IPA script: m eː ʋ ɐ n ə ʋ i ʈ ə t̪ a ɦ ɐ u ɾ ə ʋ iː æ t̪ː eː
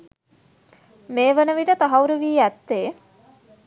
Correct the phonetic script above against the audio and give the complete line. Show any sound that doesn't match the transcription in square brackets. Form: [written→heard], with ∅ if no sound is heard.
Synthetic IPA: m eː ʋ [ɐ→ə] n ə ʋ i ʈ ə t̪ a ɦ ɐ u ɾ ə ʋ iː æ t̪ː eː